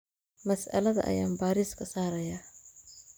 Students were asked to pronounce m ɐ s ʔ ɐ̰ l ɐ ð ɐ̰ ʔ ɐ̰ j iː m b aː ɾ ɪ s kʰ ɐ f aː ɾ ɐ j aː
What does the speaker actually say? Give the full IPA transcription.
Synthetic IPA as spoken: m ɐ s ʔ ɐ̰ l ɐ ð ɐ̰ ʔ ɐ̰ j aː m b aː ɾ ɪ s kʰ ɐ s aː ɾ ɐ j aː